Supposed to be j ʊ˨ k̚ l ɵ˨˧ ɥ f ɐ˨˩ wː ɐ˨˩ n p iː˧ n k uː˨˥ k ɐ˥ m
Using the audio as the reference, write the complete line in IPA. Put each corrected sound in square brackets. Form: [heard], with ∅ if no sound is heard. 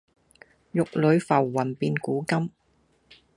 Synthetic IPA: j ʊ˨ k̚ l ɵ˨˧ ɥ f ɐ˨˩ wː ɐ˨˩ n p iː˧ n k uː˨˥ k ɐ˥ m